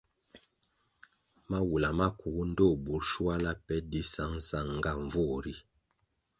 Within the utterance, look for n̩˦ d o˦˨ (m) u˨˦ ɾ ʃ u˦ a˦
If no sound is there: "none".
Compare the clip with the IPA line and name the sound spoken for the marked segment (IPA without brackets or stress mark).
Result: b